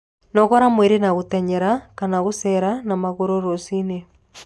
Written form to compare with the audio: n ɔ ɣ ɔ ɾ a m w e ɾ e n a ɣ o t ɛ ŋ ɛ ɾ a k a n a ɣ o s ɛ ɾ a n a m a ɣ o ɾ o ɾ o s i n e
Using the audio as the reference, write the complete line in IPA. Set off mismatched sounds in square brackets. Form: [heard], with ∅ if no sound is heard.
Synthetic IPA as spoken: n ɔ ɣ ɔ ɾ a m w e ɾ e n a ɣ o t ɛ [ɲ] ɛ ɾ a k a n a ɣ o s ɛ ɾ a n a m a ɣ o ɾ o ɾ o s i n e

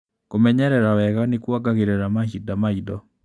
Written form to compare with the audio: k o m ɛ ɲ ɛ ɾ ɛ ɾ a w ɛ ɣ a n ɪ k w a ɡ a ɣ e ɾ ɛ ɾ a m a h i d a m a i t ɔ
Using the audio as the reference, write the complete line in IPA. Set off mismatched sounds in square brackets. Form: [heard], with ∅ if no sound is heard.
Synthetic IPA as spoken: k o m ɛ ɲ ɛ ɾ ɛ ɾ a w ɛ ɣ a n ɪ k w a ɡ a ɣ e ɾ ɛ ɾ a m a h i d a m a i [d] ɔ

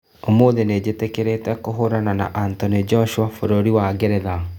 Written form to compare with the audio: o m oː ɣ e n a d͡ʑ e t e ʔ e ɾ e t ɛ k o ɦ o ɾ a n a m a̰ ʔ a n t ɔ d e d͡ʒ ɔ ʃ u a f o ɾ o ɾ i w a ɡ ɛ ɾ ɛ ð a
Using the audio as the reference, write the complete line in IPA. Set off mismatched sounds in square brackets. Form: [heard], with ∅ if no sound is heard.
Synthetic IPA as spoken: o m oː [ð] e n [e] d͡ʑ e t e [k] e ɾ e t ɛ k o ɦ o ɾ a n a [n] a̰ ʔ a n t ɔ [n] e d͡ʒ ɔ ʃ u a f o ɾ o ɾ i w a ɡ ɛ ɾ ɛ ð a

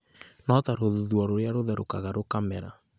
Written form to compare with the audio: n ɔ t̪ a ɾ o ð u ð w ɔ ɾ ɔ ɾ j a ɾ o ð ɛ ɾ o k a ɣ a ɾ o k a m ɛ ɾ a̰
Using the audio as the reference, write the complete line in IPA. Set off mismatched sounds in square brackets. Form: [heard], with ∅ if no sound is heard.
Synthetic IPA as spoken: n ɔ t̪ a ɾ o ð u ð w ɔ ɾ [o] ɾ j a ɾ o ð ɛ ɾ o k a ɣ a ɾ o k a m ɛ ɾ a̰

